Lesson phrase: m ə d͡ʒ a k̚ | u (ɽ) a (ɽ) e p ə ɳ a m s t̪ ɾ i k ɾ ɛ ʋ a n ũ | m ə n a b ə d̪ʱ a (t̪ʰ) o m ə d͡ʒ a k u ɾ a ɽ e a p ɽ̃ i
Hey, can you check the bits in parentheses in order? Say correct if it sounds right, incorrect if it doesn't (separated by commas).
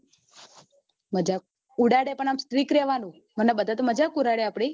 correct, correct, incorrect